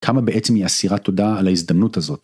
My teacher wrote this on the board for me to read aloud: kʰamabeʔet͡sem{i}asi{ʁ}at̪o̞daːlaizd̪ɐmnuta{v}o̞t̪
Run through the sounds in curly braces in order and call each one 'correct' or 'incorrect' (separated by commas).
correct, correct, incorrect